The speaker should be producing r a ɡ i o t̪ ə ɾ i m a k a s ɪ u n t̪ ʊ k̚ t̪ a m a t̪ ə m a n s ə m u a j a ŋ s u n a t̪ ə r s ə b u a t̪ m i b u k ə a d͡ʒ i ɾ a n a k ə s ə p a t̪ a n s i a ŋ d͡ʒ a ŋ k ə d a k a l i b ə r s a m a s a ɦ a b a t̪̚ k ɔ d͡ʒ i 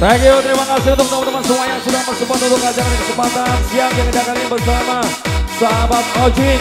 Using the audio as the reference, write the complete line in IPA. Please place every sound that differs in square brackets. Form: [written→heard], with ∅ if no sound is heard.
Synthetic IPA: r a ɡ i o t̪ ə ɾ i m a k a s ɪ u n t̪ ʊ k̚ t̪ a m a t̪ ə m a n s ə m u a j a ŋ s u [n→d] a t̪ ə r s ə b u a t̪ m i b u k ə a d͡ʒ [i→a] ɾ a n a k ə s ə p a t̪ a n s i a ŋ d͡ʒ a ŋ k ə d a k a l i b ə r s a m a s a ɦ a b a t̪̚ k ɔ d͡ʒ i